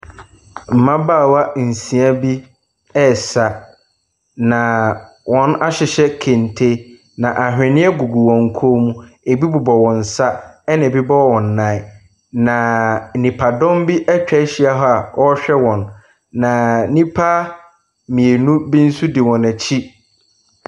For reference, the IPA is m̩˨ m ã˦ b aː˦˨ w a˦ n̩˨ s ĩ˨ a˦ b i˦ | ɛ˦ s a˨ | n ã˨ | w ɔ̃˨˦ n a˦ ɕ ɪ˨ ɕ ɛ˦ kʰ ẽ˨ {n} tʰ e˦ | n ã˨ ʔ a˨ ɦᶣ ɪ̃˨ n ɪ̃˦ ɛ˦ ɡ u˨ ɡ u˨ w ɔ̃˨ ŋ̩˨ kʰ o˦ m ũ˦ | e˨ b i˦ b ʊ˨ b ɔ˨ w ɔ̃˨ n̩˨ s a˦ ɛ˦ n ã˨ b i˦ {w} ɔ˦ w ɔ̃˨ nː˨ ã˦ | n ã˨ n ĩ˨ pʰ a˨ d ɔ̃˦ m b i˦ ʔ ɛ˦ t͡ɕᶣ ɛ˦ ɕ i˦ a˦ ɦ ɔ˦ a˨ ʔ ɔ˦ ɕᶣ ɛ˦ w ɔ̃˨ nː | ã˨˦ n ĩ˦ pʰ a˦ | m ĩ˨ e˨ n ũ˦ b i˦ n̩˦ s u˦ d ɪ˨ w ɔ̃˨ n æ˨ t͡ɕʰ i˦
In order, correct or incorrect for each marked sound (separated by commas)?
correct, incorrect